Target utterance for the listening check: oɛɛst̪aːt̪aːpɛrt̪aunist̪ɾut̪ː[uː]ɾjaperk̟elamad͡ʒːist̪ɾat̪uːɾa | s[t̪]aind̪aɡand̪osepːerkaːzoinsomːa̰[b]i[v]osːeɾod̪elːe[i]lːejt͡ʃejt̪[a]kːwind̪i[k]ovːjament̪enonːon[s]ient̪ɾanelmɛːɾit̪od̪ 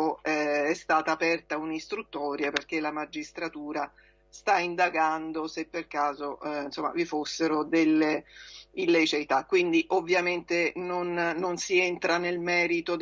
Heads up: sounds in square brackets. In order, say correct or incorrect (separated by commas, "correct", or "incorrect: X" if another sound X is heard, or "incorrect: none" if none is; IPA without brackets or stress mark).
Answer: incorrect: ɔː, correct, incorrect: v, incorrect: f, correct, correct, incorrect: ʔ, correct